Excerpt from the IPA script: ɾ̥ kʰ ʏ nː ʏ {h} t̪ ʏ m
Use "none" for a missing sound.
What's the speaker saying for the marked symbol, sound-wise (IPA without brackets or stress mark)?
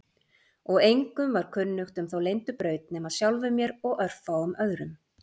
x